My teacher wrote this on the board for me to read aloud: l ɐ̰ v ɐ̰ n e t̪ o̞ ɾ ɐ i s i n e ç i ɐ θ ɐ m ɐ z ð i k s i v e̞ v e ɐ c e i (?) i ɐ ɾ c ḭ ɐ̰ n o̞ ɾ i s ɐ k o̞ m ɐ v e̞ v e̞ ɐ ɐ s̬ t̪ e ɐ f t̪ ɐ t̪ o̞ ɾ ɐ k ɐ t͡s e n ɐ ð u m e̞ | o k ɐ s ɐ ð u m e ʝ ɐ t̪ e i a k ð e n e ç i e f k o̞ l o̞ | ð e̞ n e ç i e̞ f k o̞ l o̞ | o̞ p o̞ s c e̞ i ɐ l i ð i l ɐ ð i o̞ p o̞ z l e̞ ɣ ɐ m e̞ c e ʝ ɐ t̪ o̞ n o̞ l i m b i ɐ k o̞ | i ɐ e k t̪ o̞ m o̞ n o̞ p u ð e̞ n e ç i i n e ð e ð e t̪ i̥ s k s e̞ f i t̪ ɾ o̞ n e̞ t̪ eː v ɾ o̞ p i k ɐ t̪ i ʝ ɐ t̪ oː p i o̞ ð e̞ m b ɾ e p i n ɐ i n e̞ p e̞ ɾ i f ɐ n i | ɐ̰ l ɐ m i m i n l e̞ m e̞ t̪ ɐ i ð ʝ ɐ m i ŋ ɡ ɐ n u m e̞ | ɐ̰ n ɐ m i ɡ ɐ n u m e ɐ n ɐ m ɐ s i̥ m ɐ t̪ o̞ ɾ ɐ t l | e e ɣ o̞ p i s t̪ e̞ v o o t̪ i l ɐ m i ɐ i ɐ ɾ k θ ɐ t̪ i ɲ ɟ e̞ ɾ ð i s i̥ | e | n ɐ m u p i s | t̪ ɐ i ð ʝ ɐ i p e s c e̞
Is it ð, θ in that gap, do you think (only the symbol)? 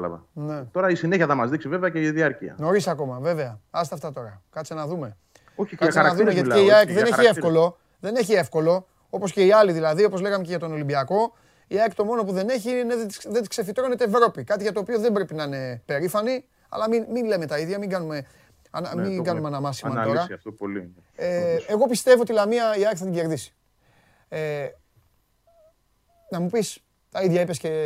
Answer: ð